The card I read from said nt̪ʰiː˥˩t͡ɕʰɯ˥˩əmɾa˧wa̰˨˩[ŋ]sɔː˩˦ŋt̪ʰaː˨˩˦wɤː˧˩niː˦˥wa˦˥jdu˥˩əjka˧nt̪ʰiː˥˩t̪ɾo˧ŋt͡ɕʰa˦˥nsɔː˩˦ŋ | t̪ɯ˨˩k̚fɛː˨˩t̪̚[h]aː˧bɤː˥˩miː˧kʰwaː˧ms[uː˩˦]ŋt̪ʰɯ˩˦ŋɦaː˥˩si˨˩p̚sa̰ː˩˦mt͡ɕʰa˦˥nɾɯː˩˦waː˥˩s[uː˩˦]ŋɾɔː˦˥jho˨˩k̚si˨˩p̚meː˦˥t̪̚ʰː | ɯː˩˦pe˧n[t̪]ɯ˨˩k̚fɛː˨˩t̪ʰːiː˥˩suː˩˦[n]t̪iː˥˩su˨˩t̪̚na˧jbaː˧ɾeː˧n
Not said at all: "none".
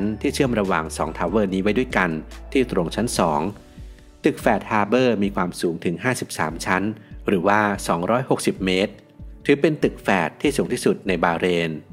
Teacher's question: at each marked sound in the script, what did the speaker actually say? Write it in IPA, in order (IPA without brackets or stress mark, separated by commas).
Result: ŋ, h, uː˩˦, ɔː˩˦, t̪, ŋ